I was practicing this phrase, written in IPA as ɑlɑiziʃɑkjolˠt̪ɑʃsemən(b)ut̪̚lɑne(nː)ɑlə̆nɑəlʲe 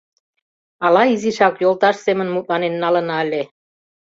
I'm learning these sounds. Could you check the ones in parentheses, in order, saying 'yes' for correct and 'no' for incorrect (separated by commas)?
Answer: no, yes